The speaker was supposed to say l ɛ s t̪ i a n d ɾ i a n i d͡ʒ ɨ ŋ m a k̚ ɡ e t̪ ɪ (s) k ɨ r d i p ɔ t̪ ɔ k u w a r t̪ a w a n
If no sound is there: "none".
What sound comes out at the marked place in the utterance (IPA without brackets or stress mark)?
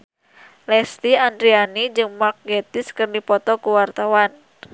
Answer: s